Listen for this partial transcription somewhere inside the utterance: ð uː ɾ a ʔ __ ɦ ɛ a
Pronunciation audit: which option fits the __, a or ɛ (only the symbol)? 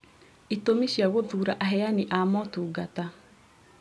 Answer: a